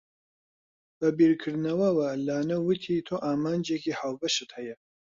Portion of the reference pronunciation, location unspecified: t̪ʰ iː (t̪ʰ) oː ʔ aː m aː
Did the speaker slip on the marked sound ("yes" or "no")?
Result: no